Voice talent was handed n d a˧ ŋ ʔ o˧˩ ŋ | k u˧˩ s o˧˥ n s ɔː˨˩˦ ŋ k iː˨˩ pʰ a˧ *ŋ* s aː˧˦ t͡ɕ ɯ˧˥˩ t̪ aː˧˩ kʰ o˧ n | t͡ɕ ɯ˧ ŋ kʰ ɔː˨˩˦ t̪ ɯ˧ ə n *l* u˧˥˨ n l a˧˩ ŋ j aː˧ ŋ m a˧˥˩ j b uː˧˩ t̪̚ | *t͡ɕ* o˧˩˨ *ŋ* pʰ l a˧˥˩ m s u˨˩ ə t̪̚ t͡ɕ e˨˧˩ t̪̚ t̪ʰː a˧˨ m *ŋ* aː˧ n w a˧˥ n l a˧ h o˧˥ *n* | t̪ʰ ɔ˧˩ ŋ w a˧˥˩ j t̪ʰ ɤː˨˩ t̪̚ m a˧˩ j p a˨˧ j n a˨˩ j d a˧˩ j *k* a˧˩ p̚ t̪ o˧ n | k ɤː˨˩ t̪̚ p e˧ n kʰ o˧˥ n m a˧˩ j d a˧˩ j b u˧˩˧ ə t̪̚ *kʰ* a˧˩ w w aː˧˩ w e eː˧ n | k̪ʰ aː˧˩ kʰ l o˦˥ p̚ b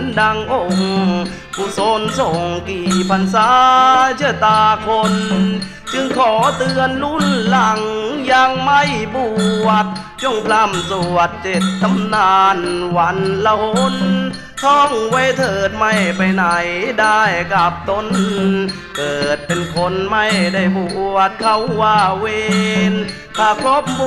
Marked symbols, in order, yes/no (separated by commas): no, yes, yes, yes, no, yes, yes, yes